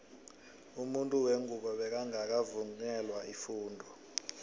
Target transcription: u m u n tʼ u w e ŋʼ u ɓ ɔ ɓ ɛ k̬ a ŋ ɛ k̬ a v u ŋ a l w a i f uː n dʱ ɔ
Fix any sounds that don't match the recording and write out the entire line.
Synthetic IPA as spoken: u m u n tʼ u w e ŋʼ u ɓ ɔ ɓ ɛ k̬ a ŋ a k̬ a v u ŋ ɛ l w a i f uː n dʱ ɔ